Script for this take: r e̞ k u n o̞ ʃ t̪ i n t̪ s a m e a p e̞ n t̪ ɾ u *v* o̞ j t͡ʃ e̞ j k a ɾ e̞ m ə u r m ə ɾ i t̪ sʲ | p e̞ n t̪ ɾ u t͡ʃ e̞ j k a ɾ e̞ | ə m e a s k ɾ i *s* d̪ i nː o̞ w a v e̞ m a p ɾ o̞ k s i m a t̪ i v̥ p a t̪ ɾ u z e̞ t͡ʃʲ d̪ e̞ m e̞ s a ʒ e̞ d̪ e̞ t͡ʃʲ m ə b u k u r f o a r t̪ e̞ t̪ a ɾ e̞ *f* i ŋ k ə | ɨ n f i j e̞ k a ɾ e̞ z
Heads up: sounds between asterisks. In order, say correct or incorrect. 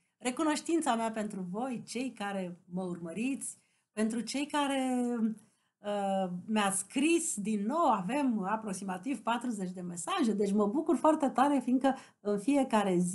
correct, correct, correct

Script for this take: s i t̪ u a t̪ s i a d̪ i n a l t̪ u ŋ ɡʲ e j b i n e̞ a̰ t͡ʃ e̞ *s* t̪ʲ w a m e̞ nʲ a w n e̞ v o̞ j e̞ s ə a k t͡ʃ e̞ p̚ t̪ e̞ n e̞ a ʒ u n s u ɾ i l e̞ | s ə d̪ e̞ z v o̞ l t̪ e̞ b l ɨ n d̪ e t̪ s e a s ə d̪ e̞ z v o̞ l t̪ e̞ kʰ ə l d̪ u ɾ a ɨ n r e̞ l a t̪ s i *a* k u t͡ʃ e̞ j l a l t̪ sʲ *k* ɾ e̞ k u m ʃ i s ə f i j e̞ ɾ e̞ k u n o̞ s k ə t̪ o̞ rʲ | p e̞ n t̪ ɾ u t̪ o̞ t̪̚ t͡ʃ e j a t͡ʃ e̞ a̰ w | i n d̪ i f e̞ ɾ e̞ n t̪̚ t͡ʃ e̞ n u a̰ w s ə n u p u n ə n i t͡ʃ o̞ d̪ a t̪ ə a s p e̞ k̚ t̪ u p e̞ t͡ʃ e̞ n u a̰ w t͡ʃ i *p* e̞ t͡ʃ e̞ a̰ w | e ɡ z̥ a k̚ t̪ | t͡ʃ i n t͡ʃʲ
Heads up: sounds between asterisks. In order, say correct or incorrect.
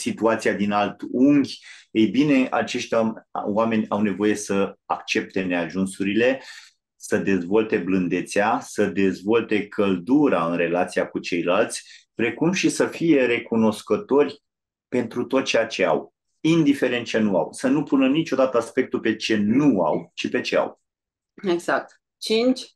incorrect: ʃ, correct, incorrect: p, correct

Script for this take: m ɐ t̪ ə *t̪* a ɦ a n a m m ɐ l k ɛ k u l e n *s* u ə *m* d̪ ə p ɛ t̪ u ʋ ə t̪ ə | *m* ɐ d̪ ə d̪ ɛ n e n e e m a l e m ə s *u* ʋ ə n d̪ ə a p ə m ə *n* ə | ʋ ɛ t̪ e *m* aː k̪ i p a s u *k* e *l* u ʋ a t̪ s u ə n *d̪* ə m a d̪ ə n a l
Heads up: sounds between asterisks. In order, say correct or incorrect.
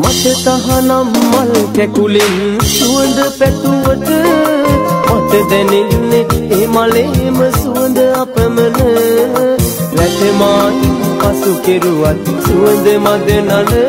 correct, correct, incorrect: n, correct, correct, correct, correct, correct, incorrect: ɾ, correct

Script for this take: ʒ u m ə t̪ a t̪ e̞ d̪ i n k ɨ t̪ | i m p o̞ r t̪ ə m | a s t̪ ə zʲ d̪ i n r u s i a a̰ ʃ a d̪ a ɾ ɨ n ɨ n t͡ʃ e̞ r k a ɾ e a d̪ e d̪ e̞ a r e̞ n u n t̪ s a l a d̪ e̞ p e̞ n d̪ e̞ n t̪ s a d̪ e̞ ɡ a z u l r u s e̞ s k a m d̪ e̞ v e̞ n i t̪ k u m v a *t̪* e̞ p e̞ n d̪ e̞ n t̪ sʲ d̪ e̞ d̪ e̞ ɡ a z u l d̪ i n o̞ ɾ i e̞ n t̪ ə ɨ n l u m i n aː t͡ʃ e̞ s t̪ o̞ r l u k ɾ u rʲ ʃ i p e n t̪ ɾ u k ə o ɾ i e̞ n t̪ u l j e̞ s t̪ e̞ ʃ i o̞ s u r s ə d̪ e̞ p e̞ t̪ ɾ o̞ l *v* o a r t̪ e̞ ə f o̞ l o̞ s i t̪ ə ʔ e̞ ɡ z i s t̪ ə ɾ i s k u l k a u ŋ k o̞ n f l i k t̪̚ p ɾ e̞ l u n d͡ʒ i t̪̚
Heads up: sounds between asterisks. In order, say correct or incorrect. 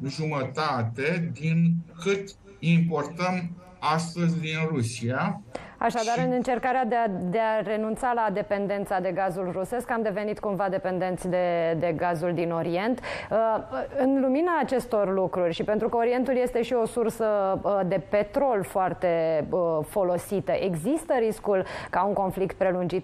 incorrect: d̪, incorrect: f

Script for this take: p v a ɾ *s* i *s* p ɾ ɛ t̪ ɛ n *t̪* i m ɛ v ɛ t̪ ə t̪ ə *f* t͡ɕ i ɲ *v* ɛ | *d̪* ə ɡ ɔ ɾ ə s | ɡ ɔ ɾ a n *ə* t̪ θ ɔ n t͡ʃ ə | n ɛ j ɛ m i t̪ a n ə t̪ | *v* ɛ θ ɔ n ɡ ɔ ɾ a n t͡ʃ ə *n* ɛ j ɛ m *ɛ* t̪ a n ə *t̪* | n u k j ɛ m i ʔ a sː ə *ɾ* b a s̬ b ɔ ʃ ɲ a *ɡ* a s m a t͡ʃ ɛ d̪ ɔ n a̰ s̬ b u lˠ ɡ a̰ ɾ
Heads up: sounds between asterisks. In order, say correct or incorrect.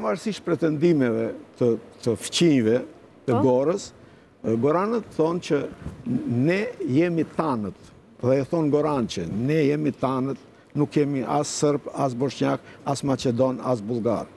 correct, incorrect: ʃ, incorrect: d̪, correct, correct, incorrect: t̪, correct, incorrect: ð, correct, incorrect: i, correct, correct, incorrect: k

